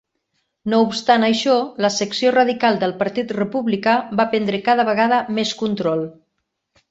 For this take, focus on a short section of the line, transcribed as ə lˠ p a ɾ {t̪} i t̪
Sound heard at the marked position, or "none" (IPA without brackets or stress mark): t̪